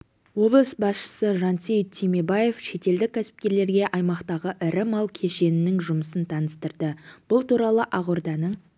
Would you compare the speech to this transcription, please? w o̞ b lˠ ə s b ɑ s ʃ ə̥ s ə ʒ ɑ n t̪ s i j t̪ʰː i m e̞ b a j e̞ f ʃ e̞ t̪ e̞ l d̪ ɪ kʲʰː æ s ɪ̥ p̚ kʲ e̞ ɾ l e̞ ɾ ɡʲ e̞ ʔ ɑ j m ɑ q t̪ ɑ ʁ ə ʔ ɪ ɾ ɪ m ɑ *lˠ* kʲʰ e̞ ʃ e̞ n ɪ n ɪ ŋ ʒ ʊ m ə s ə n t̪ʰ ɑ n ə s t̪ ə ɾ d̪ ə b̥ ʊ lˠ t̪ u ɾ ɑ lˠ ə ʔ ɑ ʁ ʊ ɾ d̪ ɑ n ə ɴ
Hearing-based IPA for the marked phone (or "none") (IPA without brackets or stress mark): lˠ